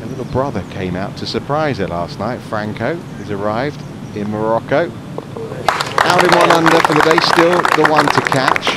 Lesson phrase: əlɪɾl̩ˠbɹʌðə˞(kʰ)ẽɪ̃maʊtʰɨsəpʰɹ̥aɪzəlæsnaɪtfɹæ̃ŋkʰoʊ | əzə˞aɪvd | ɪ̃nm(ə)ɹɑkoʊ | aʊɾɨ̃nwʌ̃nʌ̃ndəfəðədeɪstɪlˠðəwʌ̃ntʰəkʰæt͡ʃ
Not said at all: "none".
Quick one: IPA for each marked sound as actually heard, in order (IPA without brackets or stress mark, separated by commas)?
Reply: kʰ, ə